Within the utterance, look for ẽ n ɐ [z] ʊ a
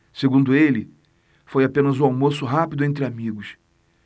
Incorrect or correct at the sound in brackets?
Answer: correct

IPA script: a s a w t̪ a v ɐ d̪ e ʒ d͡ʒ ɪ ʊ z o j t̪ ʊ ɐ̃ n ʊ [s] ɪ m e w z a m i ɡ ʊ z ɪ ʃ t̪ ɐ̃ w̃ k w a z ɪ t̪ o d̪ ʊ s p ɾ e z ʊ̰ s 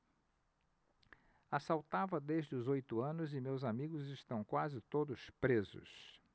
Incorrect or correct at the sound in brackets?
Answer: incorrect: z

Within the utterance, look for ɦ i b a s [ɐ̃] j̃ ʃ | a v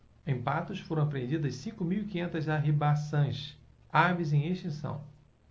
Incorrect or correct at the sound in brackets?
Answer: correct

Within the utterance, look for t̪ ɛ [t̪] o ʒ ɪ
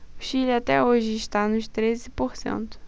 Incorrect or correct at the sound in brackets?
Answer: incorrect: none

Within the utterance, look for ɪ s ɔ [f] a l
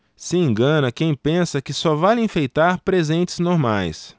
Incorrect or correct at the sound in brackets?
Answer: incorrect: v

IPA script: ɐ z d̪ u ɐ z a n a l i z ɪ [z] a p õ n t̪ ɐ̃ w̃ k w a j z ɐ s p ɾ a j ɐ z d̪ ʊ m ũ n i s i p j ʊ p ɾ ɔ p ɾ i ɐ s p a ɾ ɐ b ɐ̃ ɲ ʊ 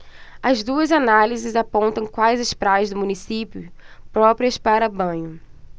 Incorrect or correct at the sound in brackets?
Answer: correct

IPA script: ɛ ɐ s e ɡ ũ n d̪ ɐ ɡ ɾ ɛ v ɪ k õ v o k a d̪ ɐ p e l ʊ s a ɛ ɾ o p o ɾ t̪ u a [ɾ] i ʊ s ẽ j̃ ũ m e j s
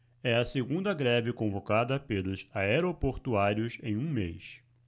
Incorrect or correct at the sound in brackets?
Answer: correct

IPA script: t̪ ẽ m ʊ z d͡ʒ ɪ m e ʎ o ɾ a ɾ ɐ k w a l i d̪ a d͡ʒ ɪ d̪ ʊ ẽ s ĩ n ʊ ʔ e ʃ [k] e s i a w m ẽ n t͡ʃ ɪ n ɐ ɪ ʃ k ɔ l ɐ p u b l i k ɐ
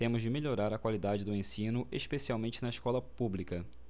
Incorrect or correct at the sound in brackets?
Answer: incorrect: p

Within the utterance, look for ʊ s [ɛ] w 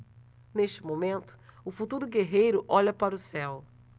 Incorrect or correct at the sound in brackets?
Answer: correct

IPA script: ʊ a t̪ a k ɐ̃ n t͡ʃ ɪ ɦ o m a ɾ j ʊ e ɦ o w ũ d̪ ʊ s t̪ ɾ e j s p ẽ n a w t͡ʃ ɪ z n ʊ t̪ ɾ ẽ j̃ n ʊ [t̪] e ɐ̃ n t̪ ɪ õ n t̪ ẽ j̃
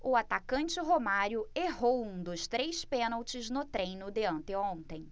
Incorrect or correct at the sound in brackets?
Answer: incorrect: d̪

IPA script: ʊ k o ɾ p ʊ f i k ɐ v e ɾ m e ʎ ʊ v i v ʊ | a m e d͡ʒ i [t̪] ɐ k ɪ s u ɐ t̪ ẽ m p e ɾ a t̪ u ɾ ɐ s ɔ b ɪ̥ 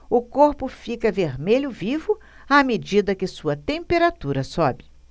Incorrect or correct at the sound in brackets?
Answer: incorrect: d̪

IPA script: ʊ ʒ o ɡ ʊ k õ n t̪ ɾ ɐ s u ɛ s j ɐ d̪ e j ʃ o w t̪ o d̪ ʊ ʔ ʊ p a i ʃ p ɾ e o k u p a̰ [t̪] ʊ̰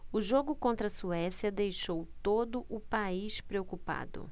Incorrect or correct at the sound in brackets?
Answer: incorrect: d̪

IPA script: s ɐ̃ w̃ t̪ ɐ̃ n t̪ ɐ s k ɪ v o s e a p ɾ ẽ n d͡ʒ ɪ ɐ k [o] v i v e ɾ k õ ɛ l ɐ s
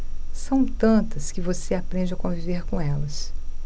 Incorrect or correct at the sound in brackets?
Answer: incorrect: õ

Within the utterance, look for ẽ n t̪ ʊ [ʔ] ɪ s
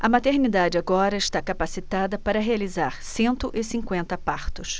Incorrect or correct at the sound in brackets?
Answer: correct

